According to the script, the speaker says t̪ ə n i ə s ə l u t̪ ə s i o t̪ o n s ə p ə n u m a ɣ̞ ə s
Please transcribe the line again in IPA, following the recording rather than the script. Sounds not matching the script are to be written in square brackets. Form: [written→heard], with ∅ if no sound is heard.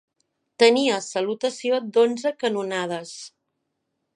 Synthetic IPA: t̪ ə n i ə s ə l u t̪ ə s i o [t̪→d̪] o n [s→z] ə [p→k] ə n u [m→n] a [ɣ̞→ð̞] ə s